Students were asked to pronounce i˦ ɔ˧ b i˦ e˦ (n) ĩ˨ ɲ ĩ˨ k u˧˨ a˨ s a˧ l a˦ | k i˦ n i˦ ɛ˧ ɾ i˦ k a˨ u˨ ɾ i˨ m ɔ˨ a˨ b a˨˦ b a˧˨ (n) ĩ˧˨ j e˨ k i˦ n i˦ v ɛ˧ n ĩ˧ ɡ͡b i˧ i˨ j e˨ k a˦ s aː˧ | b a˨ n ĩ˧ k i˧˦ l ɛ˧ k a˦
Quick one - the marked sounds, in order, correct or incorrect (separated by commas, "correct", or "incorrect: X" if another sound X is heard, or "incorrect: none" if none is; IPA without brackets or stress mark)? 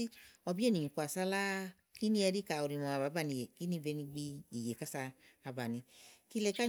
correct, correct